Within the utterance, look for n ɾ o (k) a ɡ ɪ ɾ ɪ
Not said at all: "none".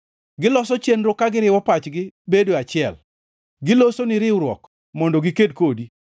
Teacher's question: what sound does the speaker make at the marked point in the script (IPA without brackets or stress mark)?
k